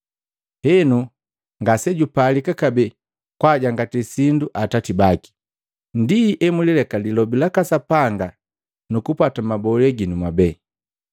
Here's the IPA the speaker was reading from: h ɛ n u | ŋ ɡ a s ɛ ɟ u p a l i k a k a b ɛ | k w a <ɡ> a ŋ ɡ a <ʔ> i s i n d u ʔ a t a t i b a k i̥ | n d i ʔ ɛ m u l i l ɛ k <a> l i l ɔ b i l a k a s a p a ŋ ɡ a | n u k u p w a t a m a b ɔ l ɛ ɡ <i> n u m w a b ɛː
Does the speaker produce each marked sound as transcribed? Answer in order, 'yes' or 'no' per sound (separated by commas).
no, no, yes, yes